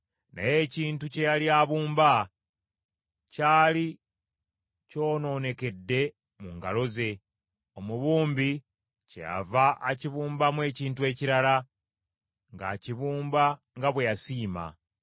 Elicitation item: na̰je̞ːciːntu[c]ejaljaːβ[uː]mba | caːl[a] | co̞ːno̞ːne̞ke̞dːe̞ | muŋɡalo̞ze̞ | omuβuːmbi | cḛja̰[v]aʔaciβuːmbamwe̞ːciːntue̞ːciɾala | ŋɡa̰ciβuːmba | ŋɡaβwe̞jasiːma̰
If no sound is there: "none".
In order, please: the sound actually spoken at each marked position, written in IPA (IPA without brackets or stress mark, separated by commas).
c, uː, i, v